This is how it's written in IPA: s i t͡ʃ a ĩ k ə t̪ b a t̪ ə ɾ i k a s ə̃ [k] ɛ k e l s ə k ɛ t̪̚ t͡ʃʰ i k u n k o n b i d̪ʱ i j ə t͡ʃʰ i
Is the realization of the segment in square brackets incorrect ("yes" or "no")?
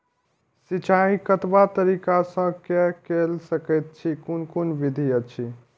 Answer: no